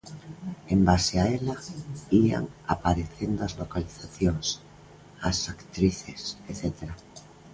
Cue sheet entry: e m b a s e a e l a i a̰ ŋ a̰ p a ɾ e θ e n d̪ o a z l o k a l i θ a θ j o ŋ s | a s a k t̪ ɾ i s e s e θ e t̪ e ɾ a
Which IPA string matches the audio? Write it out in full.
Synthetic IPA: e m b a s e a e l a i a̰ ŋ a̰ p a ɾ e θ e n d̪ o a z l o k a l i θ a θ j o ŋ s | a s a k t̪ ɾ i θ e s e θ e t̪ e ɾ a